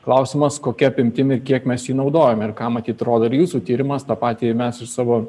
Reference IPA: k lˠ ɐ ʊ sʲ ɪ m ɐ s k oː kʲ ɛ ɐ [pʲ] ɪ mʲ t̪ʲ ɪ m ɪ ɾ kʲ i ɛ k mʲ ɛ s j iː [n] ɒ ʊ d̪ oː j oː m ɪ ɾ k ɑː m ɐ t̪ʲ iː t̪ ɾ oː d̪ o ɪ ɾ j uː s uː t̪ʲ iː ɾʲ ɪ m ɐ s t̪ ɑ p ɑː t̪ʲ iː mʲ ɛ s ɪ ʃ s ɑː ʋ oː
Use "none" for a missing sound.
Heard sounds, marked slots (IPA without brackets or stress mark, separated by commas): pʲ, n